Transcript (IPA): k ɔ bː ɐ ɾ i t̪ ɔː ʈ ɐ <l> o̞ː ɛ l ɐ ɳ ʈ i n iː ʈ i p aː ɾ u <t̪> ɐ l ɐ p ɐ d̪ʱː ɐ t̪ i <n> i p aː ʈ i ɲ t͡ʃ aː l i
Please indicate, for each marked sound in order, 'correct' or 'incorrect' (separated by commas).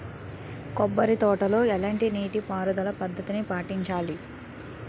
correct, incorrect, correct